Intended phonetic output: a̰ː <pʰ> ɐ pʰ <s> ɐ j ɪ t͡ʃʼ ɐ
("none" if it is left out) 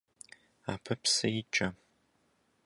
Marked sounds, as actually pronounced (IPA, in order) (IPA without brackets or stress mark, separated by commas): pʰ, s